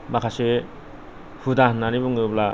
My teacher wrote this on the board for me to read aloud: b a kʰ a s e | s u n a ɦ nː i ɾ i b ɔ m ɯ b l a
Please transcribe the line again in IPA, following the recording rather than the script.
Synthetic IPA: m a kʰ a s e | h u d a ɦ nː a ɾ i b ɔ ŋ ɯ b l a